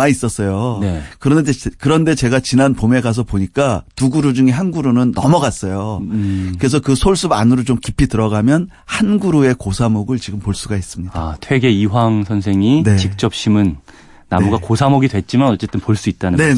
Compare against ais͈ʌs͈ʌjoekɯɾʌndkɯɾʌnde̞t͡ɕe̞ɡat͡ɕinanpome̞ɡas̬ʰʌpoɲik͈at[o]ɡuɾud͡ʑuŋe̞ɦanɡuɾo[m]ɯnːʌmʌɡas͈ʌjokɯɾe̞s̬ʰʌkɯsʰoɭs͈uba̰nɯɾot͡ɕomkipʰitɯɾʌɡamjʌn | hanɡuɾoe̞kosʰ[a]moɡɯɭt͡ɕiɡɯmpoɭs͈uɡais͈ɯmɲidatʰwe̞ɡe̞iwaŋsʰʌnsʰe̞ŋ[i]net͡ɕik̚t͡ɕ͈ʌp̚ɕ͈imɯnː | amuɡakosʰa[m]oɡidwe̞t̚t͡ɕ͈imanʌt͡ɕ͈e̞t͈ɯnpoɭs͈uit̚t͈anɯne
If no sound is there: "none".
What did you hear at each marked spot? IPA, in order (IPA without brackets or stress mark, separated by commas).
u, n, a, i, m